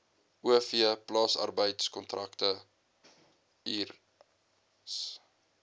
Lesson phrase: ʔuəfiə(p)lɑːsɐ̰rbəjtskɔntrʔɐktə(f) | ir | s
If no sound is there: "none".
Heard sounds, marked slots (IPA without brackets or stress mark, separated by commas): p, none